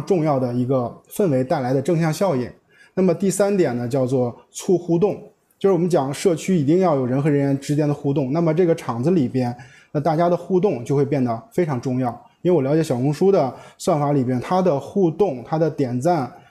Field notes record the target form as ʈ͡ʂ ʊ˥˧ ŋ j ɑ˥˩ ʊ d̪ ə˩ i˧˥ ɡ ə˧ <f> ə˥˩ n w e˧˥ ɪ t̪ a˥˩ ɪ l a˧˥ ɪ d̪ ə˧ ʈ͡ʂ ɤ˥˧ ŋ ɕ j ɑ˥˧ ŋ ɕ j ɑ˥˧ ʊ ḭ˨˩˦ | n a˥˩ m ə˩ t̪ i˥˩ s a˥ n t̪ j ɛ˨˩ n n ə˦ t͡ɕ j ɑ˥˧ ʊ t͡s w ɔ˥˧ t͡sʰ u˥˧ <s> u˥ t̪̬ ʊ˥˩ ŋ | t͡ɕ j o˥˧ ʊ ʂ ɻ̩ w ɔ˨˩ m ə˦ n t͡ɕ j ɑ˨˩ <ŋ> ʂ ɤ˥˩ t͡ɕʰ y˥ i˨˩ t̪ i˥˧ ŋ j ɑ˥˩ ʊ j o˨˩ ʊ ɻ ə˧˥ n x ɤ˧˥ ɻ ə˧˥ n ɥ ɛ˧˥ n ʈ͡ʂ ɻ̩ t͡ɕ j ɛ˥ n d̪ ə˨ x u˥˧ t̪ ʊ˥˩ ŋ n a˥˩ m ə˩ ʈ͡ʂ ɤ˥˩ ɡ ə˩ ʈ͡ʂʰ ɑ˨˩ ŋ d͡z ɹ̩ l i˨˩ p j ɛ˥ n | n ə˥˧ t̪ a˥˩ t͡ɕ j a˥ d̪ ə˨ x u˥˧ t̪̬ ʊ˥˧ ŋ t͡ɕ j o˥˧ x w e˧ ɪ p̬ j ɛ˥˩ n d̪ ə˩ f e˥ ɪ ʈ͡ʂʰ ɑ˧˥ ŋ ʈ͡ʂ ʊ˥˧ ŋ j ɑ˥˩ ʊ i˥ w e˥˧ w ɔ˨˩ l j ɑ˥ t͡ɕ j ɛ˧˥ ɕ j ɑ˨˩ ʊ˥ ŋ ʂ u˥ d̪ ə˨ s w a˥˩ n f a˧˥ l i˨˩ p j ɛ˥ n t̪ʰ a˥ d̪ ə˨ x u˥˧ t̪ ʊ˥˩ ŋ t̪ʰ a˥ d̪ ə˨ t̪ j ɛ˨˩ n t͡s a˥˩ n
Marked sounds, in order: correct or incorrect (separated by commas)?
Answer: correct, incorrect, correct